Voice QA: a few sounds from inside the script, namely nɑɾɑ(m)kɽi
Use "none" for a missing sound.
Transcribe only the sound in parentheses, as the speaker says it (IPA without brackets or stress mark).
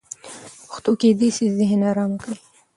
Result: m